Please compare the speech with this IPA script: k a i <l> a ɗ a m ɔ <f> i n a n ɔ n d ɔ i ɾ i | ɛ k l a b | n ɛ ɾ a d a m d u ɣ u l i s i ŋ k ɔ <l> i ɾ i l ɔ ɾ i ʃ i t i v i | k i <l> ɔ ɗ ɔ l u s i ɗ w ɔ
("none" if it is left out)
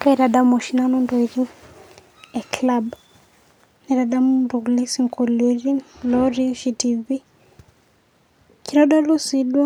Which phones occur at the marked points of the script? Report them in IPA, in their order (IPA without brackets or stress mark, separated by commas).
ɾ, ʃ, l, ɾ